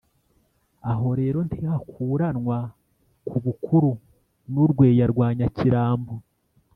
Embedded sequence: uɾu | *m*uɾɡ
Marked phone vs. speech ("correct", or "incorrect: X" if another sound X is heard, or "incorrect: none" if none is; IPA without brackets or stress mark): incorrect: n